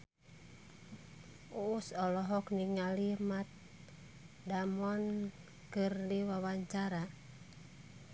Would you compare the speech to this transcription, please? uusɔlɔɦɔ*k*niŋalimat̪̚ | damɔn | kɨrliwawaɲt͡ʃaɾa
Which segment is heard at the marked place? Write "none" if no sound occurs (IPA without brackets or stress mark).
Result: k